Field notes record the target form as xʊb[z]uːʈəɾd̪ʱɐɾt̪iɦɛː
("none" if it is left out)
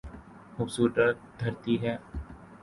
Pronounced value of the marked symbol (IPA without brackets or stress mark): s